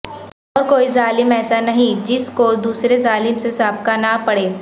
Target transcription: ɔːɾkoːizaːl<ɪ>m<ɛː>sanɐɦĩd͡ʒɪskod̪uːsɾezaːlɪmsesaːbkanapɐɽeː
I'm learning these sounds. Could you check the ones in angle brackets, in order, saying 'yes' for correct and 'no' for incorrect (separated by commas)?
yes, yes